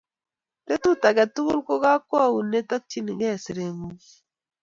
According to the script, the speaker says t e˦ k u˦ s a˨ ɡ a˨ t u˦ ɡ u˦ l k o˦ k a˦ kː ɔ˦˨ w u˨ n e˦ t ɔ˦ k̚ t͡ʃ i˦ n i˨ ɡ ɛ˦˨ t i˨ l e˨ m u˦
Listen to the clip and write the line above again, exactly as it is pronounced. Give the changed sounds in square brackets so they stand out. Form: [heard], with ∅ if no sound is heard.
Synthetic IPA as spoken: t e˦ [t] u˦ [t] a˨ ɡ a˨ t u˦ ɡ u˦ l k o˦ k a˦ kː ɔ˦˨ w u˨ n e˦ t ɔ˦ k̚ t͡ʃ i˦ n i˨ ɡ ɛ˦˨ [s] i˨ [ɾ] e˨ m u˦